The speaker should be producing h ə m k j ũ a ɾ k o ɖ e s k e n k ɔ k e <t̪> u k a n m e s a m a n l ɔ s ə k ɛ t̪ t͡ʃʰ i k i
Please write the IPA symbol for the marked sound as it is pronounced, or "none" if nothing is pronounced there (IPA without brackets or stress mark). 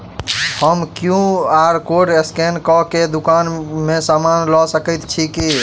d̪